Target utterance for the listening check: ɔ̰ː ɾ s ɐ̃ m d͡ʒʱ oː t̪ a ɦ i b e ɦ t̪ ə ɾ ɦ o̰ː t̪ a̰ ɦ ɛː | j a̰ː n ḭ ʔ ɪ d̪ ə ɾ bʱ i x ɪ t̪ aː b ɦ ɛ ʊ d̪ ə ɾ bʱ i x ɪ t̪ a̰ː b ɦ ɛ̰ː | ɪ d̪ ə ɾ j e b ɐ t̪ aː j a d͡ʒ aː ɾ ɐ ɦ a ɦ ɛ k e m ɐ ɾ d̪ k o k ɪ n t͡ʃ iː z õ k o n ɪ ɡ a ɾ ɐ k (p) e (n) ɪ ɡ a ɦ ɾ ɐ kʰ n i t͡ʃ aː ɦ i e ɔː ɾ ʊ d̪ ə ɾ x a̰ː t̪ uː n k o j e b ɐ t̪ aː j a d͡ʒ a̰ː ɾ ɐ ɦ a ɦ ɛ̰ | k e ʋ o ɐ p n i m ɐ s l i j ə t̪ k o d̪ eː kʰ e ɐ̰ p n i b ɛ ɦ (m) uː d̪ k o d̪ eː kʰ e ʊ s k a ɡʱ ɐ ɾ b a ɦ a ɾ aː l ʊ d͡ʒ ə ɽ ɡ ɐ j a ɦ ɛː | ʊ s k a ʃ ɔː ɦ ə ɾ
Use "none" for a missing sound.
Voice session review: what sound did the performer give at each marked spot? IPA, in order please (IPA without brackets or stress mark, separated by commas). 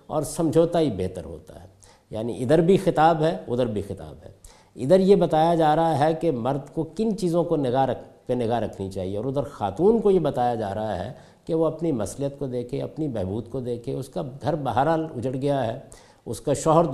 p, n, b